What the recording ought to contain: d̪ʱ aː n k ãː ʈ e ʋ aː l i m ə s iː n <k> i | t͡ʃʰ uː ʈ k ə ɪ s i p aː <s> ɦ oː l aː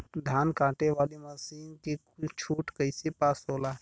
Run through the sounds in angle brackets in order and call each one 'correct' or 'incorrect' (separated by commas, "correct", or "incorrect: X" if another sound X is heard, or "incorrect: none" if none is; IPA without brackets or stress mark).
correct, correct